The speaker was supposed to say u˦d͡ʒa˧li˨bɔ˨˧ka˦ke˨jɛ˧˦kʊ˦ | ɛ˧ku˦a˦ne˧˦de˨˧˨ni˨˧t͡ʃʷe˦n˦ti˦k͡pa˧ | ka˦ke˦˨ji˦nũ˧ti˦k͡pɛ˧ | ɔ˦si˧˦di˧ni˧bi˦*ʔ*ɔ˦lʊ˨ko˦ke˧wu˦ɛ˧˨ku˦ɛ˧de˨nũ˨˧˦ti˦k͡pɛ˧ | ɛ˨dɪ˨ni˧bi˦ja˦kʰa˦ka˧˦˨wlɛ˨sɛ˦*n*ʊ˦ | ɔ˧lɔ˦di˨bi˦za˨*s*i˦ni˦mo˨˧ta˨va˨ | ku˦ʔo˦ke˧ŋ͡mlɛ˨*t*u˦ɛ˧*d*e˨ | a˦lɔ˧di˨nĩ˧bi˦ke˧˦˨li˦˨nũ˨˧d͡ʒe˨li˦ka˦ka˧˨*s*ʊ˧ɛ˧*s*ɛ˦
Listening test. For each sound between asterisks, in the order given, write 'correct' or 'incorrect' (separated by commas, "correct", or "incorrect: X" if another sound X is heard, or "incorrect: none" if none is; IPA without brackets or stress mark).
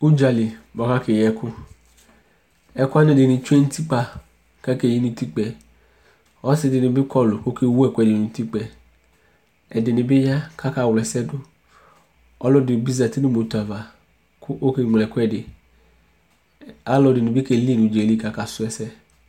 incorrect: k, incorrect: d, incorrect: t, incorrect: k, correct, correct, correct